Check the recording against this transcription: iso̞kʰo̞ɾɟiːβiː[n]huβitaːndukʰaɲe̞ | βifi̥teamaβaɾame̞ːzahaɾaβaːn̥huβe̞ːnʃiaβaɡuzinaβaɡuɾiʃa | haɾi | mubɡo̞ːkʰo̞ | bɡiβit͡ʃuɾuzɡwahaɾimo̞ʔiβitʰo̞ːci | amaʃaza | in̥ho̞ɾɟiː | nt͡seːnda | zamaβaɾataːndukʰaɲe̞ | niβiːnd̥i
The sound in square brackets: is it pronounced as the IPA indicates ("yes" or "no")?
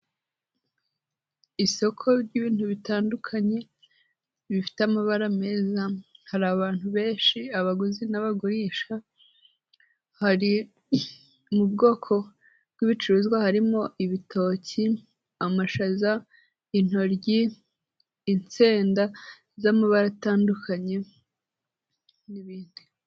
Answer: yes